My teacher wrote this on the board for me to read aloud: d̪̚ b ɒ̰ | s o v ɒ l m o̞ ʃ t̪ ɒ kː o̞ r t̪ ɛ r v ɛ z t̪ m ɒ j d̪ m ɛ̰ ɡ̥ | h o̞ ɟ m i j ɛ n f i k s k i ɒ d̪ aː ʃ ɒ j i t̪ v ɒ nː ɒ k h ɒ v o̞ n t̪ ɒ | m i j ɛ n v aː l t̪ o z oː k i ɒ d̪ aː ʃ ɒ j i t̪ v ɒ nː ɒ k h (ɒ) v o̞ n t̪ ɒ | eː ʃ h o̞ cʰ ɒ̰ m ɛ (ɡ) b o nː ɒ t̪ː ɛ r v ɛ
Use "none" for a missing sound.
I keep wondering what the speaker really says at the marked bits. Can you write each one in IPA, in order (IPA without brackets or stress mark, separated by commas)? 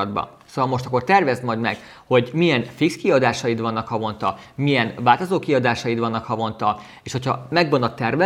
ɒ, ɡ